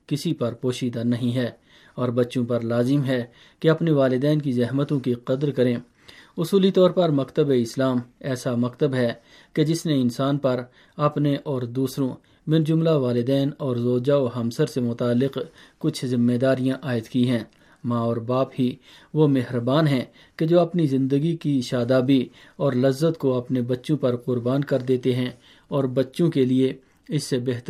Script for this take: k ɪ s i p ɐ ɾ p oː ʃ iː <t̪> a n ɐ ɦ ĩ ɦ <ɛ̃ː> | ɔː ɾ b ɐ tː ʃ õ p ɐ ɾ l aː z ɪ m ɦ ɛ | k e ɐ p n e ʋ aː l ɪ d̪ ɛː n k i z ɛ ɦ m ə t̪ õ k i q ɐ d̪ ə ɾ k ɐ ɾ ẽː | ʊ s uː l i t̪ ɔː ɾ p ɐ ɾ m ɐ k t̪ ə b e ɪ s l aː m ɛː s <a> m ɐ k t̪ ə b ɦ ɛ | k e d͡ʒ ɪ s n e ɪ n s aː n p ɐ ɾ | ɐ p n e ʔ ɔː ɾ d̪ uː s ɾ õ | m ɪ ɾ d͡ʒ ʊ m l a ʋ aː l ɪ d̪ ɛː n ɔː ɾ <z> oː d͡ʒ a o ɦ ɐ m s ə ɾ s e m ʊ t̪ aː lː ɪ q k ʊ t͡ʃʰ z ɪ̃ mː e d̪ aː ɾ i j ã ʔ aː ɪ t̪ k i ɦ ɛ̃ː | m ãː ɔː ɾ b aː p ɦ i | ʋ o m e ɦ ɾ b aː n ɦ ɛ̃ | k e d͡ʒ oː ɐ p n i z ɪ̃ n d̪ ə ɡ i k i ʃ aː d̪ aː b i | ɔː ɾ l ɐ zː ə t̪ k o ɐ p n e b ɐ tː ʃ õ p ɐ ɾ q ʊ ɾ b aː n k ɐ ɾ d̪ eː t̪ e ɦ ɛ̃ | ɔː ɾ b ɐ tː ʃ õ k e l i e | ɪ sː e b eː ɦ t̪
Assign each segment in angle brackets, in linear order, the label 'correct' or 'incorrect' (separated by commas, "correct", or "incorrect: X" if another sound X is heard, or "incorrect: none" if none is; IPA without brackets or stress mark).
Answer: incorrect: d̪, incorrect: ɛː, correct, correct